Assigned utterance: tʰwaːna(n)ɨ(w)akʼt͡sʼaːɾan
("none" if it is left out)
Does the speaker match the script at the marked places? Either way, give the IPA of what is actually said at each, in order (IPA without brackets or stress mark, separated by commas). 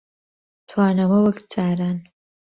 m, w